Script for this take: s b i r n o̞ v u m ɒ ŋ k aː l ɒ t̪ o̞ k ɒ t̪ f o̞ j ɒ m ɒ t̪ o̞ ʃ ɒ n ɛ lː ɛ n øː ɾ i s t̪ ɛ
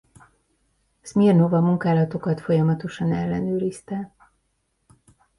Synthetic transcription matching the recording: s m i r n o̞ v ɒ m u ŋ k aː l ɒ t̪ o̞ k ɒ t̪ f o̞ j ɒ m ɒ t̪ o̞ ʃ ɒ n ɛ lː ɛ n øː ɾ i s t̪ ɛ